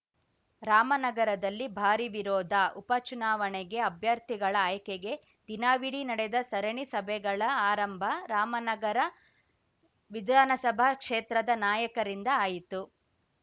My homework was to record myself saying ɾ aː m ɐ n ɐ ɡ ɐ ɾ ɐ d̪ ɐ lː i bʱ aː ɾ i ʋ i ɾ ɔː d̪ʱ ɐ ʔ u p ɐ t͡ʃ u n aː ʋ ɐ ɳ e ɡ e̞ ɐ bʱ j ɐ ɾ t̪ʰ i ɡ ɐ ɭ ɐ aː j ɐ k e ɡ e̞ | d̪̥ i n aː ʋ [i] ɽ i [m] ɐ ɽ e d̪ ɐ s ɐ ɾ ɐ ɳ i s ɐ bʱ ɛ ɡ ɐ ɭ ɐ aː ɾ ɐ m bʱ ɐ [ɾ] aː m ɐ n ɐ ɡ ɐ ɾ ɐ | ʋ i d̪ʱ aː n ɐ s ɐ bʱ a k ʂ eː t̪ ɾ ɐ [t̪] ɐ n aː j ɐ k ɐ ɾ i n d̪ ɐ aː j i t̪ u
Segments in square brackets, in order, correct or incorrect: correct, incorrect: n, correct, incorrect: d̪

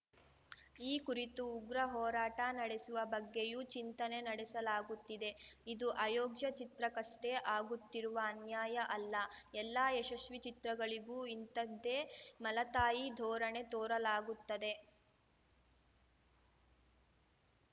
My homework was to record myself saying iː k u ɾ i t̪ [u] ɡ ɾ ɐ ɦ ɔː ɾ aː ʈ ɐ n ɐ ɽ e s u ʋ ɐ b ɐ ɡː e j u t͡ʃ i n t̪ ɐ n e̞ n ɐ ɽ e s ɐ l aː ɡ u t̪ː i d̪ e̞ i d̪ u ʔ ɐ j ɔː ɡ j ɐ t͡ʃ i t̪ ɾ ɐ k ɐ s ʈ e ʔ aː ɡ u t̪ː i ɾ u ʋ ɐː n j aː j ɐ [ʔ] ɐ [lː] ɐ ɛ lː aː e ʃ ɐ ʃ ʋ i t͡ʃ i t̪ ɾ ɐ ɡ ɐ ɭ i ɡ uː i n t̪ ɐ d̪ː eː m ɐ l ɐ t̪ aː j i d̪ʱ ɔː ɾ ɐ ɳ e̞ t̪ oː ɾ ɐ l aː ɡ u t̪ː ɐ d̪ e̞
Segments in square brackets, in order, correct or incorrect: incorrect: uː, correct, correct

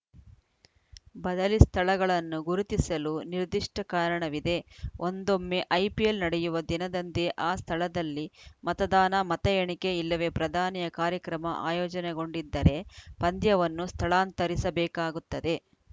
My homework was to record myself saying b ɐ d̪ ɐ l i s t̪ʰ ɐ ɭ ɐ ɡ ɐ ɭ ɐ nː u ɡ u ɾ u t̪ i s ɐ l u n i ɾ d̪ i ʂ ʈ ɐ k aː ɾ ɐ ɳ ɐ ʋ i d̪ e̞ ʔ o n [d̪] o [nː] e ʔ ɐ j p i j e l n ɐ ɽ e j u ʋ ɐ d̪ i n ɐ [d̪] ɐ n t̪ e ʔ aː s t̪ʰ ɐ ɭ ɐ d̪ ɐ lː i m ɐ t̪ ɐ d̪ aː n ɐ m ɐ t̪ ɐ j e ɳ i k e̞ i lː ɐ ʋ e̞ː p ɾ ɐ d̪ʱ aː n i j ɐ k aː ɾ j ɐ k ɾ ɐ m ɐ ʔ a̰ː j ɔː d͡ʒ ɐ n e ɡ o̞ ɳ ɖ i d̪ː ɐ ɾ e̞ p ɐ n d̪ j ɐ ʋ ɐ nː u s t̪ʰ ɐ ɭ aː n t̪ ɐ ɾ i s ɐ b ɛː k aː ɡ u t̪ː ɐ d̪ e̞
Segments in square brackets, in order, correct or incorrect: correct, incorrect: mː, correct

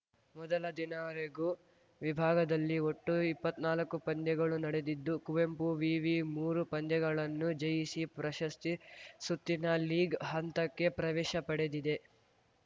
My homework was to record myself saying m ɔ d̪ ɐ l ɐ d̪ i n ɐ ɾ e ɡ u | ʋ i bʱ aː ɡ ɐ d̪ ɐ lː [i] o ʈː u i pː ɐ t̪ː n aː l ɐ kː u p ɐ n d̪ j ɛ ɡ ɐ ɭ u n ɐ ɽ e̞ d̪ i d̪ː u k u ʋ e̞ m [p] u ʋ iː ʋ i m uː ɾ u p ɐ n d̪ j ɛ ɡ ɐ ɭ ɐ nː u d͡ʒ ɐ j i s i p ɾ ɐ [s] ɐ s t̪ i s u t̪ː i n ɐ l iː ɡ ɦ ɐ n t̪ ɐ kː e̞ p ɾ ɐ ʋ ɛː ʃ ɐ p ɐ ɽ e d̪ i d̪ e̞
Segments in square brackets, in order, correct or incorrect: correct, correct, incorrect: ʃ

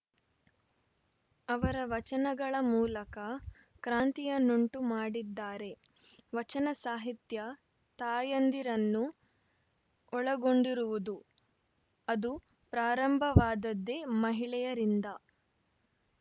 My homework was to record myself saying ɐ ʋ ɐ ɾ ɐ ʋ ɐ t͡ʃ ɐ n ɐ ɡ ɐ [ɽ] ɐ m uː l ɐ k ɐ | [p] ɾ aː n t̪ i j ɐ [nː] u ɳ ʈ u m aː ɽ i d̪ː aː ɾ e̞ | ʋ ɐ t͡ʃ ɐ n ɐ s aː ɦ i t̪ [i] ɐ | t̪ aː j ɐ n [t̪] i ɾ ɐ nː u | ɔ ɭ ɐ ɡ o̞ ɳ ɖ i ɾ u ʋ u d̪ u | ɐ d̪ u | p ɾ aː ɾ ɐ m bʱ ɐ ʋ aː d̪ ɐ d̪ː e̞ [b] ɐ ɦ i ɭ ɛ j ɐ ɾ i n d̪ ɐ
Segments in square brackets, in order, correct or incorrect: incorrect: ɭ, incorrect: k, incorrect: n, incorrect: j, incorrect: d̪, incorrect: m

